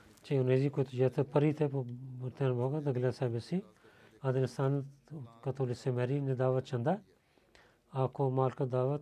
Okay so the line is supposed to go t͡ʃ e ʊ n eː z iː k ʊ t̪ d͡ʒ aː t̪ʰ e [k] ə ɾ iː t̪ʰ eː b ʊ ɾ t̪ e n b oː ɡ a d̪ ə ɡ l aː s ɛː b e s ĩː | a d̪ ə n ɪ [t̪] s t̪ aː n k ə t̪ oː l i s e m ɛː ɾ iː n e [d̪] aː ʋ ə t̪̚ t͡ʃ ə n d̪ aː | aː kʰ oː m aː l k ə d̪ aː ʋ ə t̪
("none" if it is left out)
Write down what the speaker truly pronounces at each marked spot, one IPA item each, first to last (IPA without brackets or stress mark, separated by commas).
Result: p, none, d̪